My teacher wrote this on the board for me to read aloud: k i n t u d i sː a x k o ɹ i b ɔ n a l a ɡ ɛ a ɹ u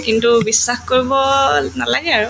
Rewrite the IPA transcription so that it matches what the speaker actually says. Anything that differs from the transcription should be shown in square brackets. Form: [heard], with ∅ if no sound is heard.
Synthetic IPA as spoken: k i n t u [b] i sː a x k o ɹ i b ɔ n a l a ɡ ɛ a ɹ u